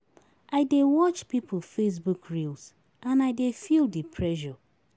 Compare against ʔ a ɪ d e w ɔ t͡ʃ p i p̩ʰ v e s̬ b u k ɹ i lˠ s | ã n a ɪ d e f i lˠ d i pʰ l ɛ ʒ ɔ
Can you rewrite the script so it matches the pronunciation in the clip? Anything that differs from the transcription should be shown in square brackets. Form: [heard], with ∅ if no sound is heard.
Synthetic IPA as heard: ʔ a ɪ d e w ɔ t͡ʃ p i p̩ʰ [f] e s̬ b u k ɹ i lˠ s | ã n a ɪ d e f i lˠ d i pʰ [ɹ] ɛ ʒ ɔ